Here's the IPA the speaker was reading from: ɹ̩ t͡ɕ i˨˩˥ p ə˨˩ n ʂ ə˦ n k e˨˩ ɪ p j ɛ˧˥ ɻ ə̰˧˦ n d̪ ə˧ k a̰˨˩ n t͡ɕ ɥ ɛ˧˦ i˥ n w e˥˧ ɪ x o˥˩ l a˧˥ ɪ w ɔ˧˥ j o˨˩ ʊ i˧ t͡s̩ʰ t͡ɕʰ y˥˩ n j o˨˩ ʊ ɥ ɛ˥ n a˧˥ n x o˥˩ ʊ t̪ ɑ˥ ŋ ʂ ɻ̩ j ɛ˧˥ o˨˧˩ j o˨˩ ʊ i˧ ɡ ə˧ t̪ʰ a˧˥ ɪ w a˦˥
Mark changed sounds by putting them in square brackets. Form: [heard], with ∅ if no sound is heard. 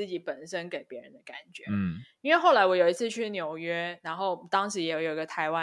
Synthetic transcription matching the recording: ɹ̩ t͡ɕ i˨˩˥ p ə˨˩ n ʂ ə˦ n k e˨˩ ɪ p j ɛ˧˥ ɻ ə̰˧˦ n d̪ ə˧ k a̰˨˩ n t͡ɕ ɥ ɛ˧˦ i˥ n w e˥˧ ɪ x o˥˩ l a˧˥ ɪ w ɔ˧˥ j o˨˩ ʊ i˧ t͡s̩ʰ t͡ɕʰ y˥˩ n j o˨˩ ʊ ɥ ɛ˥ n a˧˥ n x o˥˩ ʊ t̪ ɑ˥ ŋ ʂ ɻ̩ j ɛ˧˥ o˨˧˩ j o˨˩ ʊ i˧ ɡ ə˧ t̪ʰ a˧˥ ɪ w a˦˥